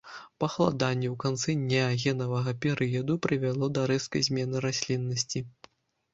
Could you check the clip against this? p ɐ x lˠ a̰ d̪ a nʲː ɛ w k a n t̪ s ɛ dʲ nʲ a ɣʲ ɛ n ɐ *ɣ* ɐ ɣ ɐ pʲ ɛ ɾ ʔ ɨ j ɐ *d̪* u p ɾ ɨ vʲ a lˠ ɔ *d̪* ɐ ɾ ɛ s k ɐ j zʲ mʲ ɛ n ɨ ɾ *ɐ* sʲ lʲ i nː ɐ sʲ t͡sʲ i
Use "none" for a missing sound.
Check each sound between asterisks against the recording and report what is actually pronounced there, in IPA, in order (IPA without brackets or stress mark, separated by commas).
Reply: v, d̪, d̪, a